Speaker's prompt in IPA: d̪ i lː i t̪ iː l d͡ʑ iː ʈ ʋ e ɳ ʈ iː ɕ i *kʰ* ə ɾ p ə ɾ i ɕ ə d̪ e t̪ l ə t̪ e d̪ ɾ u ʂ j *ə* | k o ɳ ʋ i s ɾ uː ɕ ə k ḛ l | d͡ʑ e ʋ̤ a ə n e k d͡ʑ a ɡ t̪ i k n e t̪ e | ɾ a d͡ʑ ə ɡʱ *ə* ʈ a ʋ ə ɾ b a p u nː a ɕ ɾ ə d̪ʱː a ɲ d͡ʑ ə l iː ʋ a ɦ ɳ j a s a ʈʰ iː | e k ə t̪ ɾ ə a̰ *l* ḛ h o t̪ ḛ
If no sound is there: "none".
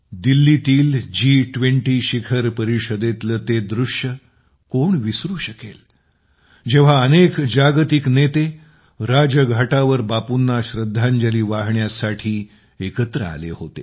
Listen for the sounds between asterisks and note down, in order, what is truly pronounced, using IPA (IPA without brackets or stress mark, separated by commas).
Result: kʰ, ə, a, l